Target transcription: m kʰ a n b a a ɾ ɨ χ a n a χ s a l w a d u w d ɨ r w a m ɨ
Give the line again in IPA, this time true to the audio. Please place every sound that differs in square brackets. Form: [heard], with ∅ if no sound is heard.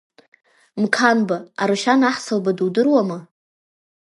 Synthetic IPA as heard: m kʰ a n b a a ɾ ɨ [ʃ] a n a [ħ] s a l [b] a d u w d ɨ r w a m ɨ